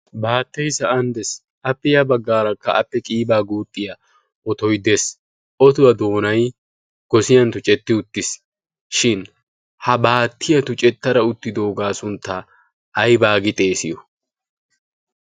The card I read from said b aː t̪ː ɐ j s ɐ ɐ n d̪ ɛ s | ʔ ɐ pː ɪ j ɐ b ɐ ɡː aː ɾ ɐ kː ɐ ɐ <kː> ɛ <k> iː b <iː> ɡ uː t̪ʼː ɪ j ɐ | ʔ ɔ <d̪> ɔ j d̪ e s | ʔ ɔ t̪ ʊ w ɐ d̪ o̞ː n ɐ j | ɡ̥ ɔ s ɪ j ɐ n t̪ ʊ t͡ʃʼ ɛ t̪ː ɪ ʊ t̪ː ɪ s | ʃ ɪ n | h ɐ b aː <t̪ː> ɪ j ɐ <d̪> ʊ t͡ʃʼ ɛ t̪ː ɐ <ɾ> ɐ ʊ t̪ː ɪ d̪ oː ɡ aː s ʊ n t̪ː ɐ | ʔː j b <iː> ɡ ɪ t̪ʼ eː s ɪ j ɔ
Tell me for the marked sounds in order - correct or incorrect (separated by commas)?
incorrect, incorrect, incorrect, incorrect, correct, incorrect, correct, incorrect